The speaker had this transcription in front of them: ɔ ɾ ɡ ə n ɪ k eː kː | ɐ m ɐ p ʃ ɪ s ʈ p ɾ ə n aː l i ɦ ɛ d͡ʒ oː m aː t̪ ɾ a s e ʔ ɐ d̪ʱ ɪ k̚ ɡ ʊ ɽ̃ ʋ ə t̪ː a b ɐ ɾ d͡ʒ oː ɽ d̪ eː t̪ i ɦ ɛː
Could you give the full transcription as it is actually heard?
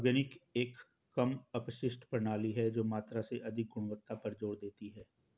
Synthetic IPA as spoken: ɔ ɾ ɡ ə n ɪ k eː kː | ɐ m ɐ p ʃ ɪ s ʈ p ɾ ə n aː l i ɦ ɛ d͡ʒ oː m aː t̪ ɾ a s e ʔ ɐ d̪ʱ ɪ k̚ ɡ ʊ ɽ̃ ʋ ə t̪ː a p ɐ ɾ d͡ʒ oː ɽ d̪ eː t̪ i ɦ ɛː